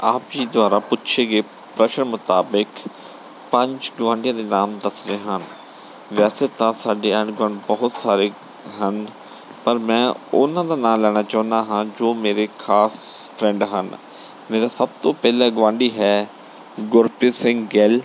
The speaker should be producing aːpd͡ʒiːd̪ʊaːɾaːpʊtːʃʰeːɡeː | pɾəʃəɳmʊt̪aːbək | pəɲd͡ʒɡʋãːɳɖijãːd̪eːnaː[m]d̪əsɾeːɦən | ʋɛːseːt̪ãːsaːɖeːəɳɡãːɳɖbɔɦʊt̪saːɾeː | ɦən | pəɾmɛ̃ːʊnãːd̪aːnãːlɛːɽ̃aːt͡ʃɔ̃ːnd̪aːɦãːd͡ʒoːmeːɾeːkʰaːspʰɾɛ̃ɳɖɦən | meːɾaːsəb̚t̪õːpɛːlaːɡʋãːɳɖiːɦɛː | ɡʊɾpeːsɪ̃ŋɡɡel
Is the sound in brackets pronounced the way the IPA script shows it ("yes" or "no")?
yes